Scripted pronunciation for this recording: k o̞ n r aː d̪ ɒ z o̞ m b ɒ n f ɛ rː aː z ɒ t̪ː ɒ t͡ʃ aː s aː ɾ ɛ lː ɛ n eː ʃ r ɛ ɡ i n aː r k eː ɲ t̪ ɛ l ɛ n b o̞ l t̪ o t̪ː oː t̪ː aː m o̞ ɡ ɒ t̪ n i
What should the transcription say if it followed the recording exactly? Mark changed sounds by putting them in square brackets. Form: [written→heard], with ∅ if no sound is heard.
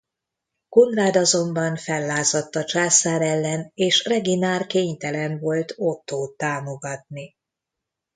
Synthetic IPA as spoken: k o̞ n r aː d̪ ɒ z o̞ m b ɒ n f ɛ [rː→lː] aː z ɒ t̪ː ɒ t͡ʃ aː s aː ɾ ɛ lː ɛ n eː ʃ r ɛ ɡ i n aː r k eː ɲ t̪ ɛ l ɛ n [b→v] o̞ l t̪ o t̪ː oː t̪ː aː m o̞ ɡ ɒ t̪ n i